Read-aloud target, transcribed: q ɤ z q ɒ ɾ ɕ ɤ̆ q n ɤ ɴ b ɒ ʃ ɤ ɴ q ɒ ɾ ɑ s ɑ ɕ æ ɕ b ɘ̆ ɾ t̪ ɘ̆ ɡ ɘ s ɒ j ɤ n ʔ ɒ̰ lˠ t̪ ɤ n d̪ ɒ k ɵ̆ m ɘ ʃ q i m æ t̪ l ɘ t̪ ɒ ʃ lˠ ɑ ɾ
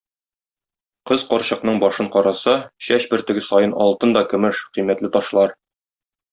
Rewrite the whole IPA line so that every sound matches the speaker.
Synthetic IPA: q ɤ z q ɒ ɾ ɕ ɤ̆ q n ɤ ɴ b ɒ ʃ ɤ ɴ q ɒ ɾ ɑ s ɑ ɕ æ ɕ b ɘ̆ ɾ t̪ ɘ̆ ɡ ɘ s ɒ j ɤ n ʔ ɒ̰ lˠ t̪ ɤ n d̪ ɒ k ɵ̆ m ɘ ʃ q i m æ t̪ l ɘ t̪ ɒ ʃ lˠ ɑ ɾ

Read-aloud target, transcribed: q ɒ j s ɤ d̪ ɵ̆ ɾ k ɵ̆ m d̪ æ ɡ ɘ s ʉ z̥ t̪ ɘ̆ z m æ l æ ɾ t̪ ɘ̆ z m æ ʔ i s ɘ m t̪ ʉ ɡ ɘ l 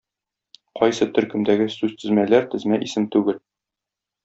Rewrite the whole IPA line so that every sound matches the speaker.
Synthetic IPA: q ɒ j s ɤ t̪ ɵ̆ ɾ k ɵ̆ m d̪ æ ɡ ɘ s ʉ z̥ t̪ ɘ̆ z m æ l æ ɾ t̪ ɘ̆ z m æ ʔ i s ɘ m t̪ ʉ ɡ ɘ l

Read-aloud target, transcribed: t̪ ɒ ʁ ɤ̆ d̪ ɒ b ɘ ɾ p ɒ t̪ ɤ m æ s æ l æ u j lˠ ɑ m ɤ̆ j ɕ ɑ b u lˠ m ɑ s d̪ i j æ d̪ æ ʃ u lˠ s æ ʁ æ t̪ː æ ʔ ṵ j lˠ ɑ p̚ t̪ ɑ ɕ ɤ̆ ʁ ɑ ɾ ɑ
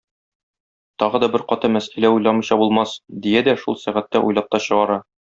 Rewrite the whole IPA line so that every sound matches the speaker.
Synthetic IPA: t̪ ɒ ʁ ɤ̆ d̪ ɒ b ɘ ɾ q ɒ t̪ ɤ m æ s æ l æ u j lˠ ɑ m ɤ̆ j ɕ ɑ b u lˠ m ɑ s d̪ i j æ d̪ æ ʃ u lˠ s æ ʁ æ t̪ː æ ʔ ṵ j lˠ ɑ p̚ t̪ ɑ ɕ ɤ̆ ʁ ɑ ɾ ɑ

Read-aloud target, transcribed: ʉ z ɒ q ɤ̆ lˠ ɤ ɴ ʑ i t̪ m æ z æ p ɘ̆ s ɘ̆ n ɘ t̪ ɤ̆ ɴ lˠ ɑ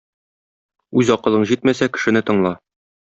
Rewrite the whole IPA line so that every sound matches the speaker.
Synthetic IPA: ʉ z ɒ q ɤ̆ lˠ ɤ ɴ ʑ i t̪ m æ s æ k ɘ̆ ʃ ɘ̆ n ɘ t̪ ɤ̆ ɴ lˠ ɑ

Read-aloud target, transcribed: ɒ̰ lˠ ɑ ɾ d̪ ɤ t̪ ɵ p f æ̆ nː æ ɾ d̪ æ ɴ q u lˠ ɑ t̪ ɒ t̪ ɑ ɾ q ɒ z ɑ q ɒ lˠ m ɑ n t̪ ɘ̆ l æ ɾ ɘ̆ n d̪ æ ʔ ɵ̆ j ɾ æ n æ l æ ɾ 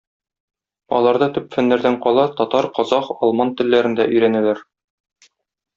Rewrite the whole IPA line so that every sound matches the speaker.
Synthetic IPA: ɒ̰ lˠ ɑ ɾ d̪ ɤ t̪ ɵ p f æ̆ nː æ ɾ d̪ æ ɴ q ɒ lˠ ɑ t̪ ɒ t̪ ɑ ɾ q ɒ z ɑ q ɒ lˠ m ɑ n t̪ ɘ̆ lː æ ɾ ɘ̆ n d̪ æ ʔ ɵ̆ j ɾ æ n æ l æ ɾ

